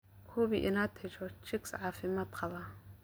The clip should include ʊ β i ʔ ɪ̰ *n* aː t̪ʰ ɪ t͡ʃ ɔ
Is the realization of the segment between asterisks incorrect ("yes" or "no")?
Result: no